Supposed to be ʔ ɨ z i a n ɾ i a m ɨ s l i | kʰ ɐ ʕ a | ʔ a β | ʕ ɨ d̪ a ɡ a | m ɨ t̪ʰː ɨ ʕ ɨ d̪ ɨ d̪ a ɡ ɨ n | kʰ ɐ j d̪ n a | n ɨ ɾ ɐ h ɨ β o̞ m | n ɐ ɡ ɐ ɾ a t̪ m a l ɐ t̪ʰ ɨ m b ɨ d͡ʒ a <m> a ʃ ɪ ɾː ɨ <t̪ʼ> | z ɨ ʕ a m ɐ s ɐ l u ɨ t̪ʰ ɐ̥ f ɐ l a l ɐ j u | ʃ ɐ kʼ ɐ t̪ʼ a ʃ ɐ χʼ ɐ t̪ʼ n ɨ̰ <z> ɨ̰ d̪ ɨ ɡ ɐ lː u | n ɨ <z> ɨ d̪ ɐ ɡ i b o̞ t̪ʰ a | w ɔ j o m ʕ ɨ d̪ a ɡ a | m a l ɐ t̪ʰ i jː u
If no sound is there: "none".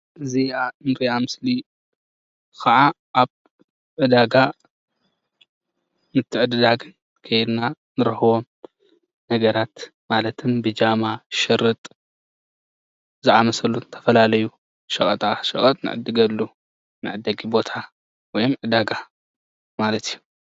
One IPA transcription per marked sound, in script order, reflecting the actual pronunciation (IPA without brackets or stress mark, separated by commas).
m, t̪ʼ, ʕ, ʕ